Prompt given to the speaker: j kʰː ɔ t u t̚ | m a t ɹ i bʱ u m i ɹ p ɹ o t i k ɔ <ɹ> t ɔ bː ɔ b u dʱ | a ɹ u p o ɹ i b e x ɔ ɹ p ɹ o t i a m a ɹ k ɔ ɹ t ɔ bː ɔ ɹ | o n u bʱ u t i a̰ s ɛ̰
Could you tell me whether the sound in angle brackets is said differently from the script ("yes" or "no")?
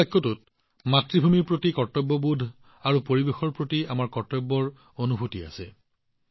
no